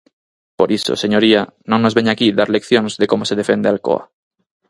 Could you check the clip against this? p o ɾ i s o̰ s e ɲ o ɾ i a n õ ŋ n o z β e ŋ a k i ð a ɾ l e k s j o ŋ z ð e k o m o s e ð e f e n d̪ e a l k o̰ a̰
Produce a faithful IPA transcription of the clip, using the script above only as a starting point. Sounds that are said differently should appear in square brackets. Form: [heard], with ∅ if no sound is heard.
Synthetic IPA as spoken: p o ɾ i s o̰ s e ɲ o ɾ i a n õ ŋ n o z β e [ɲ] a k i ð a ɾ l e k [θ] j o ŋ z ð e k o m o s e ð e f e n d̪ e a l k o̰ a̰